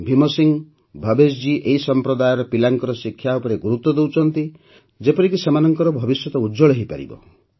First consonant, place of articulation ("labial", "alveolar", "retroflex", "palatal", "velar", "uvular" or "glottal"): labial